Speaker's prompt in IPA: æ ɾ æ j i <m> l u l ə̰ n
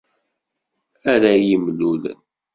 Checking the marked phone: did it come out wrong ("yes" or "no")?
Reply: no